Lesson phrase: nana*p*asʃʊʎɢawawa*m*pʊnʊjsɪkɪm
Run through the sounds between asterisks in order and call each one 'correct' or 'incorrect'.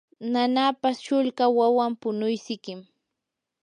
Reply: correct, correct

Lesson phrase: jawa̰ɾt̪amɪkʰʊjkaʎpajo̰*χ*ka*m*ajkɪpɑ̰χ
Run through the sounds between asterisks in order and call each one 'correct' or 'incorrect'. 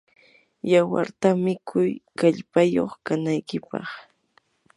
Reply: correct, incorrect: n

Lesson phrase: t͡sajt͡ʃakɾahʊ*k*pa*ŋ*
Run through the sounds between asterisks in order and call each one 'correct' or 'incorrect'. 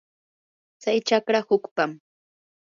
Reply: correct, incorrect: m

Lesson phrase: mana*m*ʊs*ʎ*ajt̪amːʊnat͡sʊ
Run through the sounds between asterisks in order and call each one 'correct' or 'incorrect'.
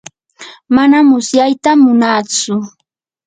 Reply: correct, incorrect: j

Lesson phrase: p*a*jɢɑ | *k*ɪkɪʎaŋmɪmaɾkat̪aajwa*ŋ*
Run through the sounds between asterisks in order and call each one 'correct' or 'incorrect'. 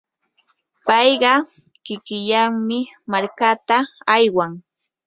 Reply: incorrect: ɑ, correct, correct

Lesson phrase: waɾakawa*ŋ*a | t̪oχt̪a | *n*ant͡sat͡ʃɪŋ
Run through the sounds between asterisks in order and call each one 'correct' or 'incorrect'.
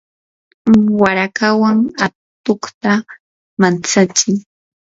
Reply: correct, incorrect: m

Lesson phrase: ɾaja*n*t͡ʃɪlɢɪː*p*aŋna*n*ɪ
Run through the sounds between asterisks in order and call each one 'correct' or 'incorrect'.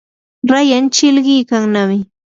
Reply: correct, incorrect: k, incorrect: m

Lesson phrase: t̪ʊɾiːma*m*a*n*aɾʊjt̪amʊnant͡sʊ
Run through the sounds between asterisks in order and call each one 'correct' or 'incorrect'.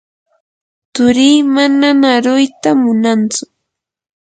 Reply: incorrect: n, correct

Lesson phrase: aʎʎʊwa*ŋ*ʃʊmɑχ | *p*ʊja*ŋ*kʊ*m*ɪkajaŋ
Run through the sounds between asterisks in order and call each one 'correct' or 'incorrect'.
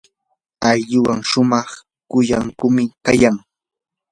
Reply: correct, incorrect: k, correct, correct

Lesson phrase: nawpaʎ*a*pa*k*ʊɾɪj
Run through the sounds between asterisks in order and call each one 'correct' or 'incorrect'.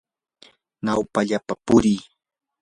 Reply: correct, incorrect: p

